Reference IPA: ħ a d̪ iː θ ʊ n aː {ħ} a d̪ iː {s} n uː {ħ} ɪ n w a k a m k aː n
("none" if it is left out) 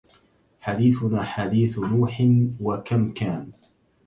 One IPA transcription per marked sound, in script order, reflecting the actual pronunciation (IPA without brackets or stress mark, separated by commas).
ħ, θ, ħ